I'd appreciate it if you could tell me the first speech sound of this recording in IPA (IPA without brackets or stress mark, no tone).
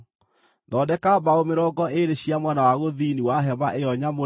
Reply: ð